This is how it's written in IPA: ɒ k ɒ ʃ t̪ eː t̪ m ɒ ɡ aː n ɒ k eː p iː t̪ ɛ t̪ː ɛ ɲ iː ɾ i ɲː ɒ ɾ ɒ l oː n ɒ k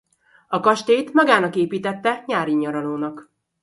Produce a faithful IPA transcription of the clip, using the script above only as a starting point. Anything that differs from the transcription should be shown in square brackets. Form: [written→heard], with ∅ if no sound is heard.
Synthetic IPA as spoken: ɒ k ɒ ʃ t̪ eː t̪ m ɒ ɡ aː n ɒ k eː p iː t̪ ɛ t̪ː ɛ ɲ [iː→aː] ɾ i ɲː ɒ ɾ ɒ l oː n ɒ k